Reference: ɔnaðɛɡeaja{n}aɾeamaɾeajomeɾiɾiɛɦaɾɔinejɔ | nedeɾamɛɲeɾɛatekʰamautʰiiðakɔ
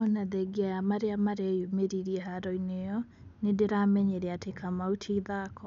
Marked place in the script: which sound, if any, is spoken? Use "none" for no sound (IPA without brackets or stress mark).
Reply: m